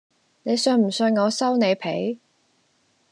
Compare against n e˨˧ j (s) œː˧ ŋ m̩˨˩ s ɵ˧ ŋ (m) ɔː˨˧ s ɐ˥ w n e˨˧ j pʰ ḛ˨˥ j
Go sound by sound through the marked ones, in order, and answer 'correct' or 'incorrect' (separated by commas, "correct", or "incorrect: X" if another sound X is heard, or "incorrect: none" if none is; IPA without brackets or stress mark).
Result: correct, incorrect: ŋ